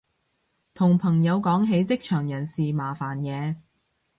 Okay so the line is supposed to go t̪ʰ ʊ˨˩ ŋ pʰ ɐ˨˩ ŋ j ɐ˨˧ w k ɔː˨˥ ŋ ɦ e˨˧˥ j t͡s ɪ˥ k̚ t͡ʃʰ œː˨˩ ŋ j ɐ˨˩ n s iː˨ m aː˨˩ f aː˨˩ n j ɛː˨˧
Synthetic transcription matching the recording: t̪ʰ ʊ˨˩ ŋ pʰ ɐ˨˩ ŋ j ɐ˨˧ w k ɔː˨˥ ŋ ɦ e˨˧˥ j t͡s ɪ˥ k̚ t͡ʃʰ œː˨˩ ŋ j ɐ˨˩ n s iː˨ m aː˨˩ f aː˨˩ n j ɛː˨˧